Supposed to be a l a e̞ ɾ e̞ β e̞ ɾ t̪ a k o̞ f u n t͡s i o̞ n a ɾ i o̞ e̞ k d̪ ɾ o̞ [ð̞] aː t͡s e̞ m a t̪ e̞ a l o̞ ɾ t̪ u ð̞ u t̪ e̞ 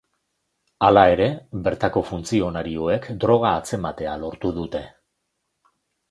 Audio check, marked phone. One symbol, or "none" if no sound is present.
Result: ɣ̞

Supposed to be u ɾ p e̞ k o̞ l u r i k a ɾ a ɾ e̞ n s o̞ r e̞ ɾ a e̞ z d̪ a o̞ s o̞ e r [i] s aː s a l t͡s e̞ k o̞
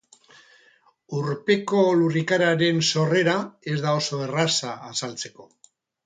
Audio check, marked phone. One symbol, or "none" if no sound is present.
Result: a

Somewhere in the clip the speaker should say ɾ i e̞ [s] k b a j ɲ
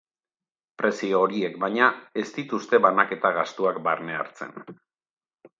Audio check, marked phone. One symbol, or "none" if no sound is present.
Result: none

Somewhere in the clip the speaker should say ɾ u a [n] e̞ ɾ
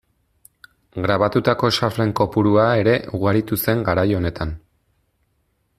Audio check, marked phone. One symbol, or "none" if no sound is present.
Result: none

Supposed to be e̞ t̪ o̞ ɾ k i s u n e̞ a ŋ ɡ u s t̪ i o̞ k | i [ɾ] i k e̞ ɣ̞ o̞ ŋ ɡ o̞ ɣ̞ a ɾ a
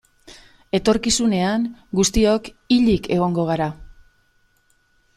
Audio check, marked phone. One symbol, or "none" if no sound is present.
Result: ʎ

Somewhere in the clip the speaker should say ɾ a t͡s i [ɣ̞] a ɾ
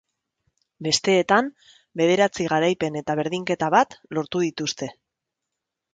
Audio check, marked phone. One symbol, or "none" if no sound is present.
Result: ɣ̞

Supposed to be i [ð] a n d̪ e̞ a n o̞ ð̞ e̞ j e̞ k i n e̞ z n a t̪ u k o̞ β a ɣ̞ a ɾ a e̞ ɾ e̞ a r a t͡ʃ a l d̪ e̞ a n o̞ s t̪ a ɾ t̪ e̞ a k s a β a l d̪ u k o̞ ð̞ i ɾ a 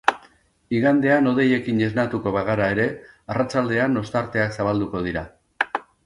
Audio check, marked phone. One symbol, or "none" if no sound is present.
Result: ɣ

